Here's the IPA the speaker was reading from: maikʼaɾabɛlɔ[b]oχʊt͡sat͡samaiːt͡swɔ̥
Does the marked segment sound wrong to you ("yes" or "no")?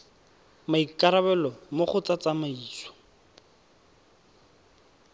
yes